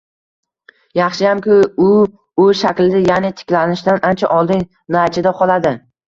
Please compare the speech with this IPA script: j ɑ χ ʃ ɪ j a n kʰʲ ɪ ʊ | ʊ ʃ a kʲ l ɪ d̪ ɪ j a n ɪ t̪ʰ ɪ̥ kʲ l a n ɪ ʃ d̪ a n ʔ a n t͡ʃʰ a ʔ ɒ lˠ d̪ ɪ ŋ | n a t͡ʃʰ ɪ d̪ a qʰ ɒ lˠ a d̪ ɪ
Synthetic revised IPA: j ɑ χ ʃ ɪ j a m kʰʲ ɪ ʊ | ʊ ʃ a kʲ l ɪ d̪ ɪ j a n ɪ t̪ʰ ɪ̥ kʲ l a n ɪ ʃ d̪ a n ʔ a n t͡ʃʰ a ʔ ɒ lˠ d̪ ɪ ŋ | n a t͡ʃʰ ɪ d̪ a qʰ ɒ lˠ a d̪ ɪ